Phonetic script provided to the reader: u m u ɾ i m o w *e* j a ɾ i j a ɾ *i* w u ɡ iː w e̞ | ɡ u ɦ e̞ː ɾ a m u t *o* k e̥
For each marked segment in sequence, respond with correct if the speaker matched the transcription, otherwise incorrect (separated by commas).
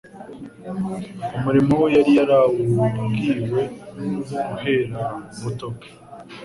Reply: correct, incorrect, correct